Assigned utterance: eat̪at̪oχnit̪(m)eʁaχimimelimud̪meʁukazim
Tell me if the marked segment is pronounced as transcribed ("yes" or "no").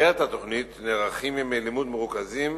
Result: no